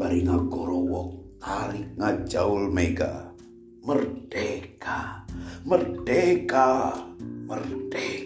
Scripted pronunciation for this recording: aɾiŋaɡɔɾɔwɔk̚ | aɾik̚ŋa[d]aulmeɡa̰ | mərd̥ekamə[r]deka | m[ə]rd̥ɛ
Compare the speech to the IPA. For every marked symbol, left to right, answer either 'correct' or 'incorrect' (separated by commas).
incorrect, correct, correct